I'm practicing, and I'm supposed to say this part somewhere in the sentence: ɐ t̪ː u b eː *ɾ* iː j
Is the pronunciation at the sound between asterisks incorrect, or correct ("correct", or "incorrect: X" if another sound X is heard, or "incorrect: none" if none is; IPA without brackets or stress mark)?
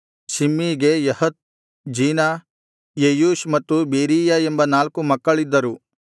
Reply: correct